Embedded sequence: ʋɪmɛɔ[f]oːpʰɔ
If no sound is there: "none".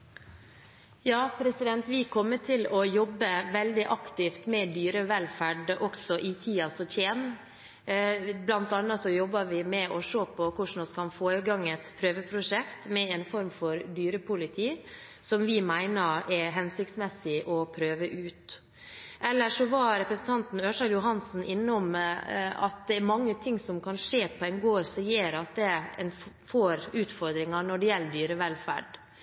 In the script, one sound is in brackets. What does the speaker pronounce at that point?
ʂ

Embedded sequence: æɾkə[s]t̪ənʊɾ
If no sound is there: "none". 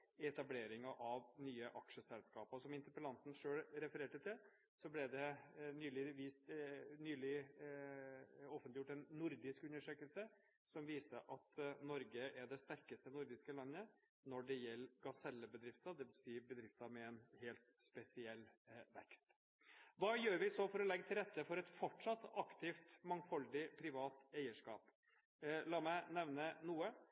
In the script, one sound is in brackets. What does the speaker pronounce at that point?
s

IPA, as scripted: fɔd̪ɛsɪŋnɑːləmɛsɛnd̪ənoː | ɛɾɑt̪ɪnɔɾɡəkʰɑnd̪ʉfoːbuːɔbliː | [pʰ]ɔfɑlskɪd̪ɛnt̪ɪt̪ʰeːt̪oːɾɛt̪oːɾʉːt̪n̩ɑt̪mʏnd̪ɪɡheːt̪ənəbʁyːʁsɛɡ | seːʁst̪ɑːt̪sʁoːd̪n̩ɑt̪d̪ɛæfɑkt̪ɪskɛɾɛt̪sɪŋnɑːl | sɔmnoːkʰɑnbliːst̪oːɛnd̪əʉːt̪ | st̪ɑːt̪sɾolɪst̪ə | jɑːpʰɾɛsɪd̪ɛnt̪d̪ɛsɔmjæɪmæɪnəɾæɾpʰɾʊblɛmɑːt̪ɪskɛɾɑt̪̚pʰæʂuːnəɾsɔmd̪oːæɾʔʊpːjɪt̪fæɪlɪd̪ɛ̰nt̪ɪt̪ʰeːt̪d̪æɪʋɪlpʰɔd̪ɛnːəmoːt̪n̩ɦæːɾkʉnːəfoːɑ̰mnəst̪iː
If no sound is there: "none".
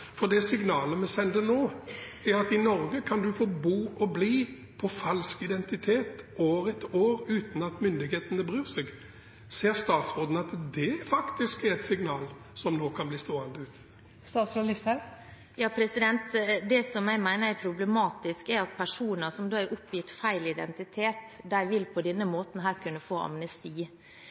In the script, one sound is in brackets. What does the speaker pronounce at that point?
pʰ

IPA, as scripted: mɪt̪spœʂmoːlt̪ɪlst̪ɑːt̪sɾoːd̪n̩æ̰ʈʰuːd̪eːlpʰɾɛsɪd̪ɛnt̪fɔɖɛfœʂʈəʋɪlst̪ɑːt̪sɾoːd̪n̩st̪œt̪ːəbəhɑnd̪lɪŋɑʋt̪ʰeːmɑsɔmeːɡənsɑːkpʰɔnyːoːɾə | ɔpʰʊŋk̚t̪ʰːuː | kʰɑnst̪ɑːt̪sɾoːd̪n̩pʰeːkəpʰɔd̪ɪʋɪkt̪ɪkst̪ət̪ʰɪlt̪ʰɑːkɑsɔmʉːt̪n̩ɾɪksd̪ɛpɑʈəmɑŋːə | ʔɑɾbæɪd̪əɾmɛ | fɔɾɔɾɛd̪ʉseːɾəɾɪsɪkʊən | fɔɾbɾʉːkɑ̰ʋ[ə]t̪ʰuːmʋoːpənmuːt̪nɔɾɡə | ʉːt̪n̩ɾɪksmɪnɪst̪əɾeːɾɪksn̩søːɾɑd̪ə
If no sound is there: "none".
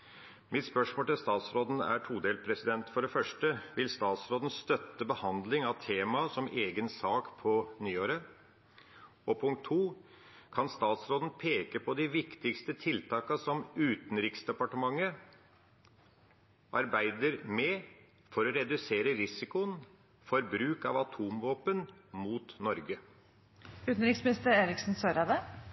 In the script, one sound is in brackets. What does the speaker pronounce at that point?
ɑ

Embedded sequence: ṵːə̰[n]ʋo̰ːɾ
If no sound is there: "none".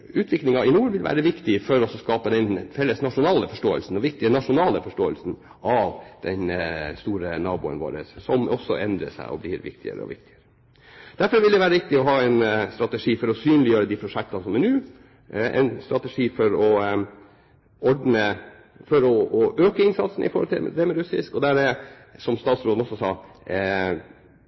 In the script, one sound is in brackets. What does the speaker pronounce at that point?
n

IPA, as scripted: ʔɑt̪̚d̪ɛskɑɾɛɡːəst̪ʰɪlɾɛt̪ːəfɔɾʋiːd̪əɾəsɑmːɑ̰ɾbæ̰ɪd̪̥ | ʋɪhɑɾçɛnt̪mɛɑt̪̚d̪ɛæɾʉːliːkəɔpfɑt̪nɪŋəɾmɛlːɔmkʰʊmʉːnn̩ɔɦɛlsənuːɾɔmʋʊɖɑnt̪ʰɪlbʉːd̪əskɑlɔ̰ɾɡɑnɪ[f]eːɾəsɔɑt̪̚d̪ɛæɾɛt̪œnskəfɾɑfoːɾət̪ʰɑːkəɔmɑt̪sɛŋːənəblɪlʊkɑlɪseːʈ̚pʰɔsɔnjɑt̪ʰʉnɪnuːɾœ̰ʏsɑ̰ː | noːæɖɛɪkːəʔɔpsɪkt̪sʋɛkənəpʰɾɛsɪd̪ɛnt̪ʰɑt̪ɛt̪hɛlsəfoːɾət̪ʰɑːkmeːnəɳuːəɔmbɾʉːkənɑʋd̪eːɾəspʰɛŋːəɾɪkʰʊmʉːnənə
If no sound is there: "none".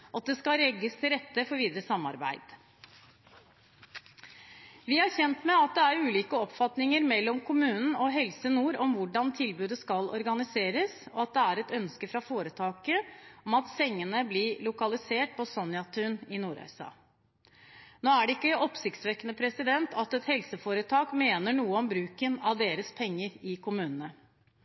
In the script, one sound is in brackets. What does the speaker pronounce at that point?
s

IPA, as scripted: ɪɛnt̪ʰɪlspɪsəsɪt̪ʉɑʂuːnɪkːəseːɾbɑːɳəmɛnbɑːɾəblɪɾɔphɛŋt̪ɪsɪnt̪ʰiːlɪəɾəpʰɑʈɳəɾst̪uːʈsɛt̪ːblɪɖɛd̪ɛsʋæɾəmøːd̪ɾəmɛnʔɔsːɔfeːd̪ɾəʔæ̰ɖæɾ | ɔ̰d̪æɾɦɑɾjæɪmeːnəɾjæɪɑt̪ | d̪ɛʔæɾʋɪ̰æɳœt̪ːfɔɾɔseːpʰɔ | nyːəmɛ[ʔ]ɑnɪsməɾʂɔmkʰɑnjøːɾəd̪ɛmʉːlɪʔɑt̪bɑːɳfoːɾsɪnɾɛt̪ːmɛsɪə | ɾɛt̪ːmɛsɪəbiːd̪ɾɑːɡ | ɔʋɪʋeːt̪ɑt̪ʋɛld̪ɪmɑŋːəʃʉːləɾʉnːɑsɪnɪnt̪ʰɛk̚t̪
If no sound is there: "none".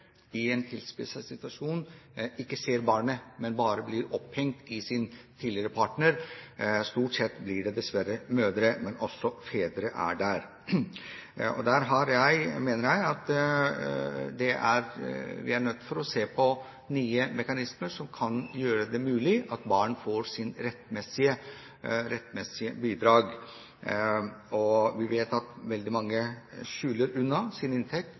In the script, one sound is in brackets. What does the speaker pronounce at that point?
k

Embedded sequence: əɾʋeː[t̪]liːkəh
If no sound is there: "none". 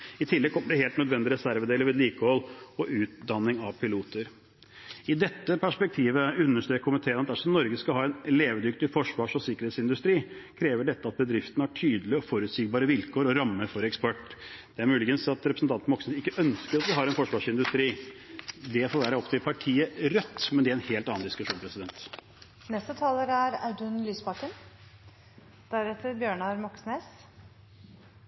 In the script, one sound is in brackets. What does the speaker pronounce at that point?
d̪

